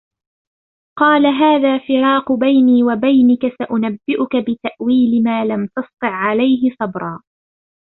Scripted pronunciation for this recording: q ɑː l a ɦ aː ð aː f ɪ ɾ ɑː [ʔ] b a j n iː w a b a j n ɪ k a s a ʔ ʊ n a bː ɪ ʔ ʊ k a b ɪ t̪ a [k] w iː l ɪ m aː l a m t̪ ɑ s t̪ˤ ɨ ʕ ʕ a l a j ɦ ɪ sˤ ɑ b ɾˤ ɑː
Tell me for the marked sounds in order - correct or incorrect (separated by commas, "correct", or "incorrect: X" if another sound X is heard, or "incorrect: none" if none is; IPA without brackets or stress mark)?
incorrect: q, incorrect: ʔ